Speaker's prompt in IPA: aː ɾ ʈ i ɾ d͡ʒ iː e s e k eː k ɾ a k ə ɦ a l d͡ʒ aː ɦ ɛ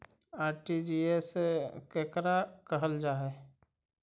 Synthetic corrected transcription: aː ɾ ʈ i d͡ʒ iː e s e k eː k ɾ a k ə ɦ ə l d͡ʒ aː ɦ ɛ